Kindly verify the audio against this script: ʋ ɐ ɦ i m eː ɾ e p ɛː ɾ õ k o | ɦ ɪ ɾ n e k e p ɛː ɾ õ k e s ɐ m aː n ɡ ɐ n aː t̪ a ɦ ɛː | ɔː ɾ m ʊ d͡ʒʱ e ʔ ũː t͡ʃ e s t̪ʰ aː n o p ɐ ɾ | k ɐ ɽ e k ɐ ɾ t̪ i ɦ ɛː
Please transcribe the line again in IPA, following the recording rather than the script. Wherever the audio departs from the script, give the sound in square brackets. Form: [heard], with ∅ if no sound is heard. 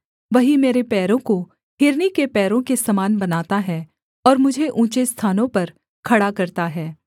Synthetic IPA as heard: ʋ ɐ ɦ i m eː ɾ e p ɛː ɾ õ k o | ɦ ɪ ɾ n [i] k e p ɛː ɾ õ k e s ɐ m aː n [b] ɐ n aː t̪ a ɦ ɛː | ɔː ɾ m ʊ d͡ʒʱ e ʔ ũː t͡ʃ e s t̪ʰ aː n [õ] p ɐ ɾ | [kʰ] ɐ ɽ [a] k ɐ ɾ t̪ [a] ɦ ɛː